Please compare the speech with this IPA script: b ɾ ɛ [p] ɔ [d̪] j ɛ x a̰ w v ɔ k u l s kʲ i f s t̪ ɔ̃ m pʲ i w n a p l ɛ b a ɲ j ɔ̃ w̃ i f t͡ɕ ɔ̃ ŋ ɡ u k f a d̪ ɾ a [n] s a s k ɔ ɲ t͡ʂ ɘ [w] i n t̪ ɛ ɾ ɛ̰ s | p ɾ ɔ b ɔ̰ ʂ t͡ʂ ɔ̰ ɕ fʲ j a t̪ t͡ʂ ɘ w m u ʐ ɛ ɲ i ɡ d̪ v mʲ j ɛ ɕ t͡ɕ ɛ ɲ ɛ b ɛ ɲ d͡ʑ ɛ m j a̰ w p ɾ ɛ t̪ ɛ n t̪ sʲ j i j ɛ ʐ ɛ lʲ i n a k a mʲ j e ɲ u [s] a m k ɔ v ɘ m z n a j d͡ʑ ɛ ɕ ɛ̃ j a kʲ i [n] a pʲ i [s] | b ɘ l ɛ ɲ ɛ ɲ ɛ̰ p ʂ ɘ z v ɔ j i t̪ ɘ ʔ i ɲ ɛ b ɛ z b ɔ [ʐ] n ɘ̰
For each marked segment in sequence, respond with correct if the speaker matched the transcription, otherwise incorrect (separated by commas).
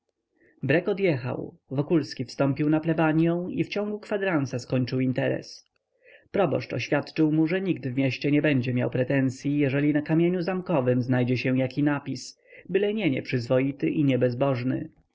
incorrect, correct, correct, correct, incorrect, correct, correct, correct